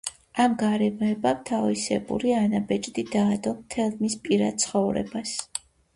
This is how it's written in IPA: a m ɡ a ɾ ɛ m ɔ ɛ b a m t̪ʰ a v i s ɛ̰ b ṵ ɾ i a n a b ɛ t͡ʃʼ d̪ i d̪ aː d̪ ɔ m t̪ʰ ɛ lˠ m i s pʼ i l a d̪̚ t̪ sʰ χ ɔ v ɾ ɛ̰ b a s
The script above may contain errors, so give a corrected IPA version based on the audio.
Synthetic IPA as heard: a m ɡ a ɾ ɛ m ɔ ɛ b a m t̪ʰ a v i s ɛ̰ b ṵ ɾ i a n a b ɛ t͡ʃʼ d̪ i d̪ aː d̪ ɔ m t̪ʰ ɛ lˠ m i s pʼ i ɾ a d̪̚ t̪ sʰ χ ɔ v ɾ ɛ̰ b a s